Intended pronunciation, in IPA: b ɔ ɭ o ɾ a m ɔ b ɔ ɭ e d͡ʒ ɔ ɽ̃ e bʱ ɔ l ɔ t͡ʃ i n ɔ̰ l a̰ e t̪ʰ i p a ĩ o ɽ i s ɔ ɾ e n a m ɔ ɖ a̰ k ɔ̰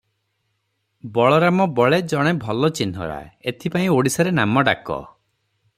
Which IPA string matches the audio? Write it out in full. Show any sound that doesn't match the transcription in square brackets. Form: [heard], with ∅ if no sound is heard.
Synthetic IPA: b ɔ ɭ [ɔ] ɾ a m ɔ b ɔ ɭ e d͡ʒ ɔ ɽ̃ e bʱ ɔ l ɔ t͡ʃ i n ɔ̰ [ɾ] a̰ e t̪ʰ i p a ĩ o ɽ i s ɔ ɾ e n a m ɔ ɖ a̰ k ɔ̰